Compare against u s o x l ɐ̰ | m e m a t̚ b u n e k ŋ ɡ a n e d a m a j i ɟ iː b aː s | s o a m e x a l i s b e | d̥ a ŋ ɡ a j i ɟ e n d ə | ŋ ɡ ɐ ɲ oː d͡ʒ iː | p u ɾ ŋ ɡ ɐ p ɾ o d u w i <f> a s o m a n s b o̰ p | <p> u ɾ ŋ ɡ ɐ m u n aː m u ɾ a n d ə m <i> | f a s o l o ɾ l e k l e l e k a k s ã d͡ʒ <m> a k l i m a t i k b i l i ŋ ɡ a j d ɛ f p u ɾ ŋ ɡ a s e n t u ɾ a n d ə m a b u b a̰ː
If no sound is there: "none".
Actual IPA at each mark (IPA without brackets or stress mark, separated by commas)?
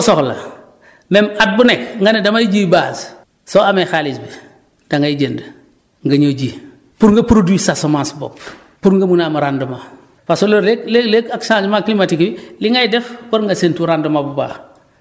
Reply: s, p, a, m